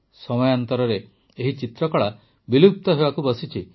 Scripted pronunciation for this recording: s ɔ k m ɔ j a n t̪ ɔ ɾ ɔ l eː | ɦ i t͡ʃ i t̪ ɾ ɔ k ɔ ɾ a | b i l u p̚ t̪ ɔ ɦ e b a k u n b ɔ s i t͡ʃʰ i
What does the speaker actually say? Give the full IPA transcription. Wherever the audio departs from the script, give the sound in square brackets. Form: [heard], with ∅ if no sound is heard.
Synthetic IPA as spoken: s ɔ [∅] m ɔ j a n t̪ ɔ ɾ ɔ [ɾ] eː | ɦ i t͡ʃ i t̪ ɾ ɔ k ɔ [ɭ] a | b i l u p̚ t̪ ɔ ɦ e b a k u [∅] b ɔ s i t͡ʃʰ i